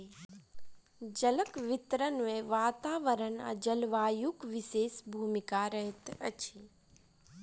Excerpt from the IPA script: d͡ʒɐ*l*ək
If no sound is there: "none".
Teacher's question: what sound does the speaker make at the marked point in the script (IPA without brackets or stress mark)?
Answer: l